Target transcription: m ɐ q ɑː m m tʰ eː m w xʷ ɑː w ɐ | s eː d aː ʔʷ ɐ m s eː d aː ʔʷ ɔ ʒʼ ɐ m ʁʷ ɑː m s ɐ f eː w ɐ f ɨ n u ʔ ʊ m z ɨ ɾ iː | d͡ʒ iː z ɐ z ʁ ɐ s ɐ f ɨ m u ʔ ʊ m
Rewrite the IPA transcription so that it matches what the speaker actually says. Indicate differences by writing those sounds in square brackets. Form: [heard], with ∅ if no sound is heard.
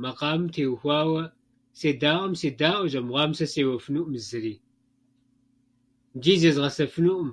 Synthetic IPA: m ɐ q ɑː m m tʰ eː [∅] w xʷ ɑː w ɐ | s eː d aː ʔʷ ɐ m s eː d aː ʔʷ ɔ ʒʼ ɐ m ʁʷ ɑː m s ɐ [s] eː w ɐ f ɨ n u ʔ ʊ m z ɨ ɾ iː | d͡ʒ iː z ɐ z ʁ ɐ s ɐ f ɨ [n] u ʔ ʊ m